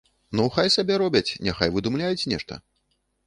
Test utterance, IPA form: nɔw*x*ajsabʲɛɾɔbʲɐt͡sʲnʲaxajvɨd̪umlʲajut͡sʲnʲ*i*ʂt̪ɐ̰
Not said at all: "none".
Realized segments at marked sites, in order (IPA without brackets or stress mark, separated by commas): x, ɛ